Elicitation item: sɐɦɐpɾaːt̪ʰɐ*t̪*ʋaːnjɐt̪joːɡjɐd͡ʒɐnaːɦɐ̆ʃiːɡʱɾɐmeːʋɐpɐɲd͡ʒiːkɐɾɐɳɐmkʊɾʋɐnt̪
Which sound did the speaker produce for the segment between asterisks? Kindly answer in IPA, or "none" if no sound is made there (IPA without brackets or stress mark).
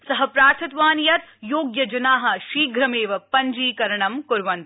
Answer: t̪